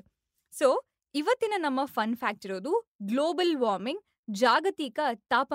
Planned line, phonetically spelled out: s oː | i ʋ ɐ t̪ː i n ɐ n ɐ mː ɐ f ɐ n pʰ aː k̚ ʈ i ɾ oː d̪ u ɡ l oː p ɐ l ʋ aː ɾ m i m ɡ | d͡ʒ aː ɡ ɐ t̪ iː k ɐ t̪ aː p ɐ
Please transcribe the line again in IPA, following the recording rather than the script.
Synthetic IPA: s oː | i ʋ ɐ t̪ː i n ɐ n ɐ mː ɐ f ɐ n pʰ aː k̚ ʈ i ɾ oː d̪ u ɡ l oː b ɐ l ʋ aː ɾ m i ŋ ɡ | d͡ʒ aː ɡ ɐ t̪ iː k ɐ t̪ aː p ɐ